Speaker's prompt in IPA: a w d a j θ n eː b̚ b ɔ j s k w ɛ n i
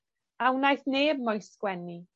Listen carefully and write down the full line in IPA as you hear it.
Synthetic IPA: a w n a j θ n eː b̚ m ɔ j s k w ɛ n i